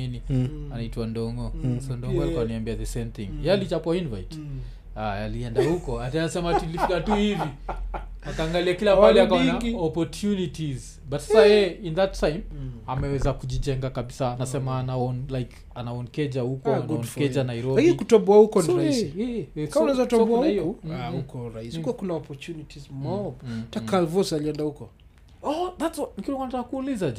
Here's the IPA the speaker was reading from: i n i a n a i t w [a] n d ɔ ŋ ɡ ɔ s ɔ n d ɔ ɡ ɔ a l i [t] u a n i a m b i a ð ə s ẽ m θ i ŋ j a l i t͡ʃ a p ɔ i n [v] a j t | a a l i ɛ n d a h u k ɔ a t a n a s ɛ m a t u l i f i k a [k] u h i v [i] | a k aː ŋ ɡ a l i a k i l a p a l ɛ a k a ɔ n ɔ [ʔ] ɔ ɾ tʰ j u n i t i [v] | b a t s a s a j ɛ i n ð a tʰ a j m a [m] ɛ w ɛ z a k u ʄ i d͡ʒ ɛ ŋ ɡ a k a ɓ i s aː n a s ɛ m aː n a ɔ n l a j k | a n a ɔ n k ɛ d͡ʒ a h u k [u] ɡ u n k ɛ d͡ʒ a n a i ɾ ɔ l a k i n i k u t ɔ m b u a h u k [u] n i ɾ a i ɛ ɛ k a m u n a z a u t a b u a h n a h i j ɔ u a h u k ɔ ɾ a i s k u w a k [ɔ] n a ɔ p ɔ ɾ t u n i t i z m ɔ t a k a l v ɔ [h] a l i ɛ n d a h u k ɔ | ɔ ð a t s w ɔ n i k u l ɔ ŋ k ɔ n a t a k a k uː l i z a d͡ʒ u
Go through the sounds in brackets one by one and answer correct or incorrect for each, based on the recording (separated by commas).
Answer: correct, incorrect, correct, incorrect, correct, incorrect, incorrect, correct, incorrect, incorrect, incorrect, incorrect